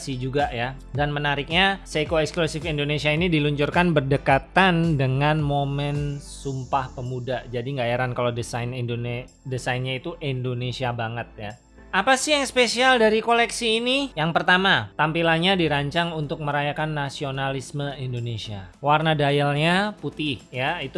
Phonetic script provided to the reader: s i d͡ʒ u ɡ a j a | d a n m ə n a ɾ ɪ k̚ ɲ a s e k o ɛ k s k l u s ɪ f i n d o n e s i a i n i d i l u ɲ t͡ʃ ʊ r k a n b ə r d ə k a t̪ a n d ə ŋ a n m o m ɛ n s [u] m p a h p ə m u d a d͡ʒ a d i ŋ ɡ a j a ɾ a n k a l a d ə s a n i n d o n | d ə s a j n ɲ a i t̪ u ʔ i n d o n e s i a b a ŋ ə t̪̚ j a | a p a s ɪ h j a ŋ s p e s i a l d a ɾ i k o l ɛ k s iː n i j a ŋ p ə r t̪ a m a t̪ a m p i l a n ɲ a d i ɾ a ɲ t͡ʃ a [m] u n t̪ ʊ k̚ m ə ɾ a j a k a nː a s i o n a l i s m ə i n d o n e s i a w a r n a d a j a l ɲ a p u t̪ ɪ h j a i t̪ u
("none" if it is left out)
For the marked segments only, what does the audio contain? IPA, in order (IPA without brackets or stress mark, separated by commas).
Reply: u, ŋ